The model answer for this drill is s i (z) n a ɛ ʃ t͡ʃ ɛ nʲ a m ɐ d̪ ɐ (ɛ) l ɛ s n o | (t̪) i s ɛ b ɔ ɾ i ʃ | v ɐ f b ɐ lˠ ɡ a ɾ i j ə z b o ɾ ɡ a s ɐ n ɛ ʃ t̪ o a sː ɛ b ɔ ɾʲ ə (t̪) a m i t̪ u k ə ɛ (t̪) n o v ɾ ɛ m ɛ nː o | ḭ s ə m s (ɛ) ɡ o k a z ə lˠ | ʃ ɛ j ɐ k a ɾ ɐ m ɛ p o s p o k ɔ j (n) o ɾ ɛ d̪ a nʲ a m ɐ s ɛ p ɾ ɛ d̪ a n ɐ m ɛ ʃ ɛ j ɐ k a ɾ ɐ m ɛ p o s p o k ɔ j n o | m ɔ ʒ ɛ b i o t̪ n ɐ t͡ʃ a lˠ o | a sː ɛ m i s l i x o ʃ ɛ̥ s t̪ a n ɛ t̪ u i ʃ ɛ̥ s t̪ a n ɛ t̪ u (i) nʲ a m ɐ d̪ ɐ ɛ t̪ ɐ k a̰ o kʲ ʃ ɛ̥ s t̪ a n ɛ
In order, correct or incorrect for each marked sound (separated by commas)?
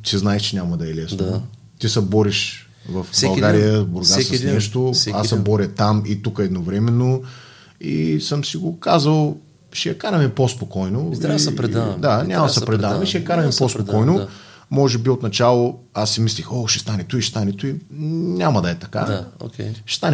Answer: correct, correct, correct, correct, incorrect, incorrect, correct, correct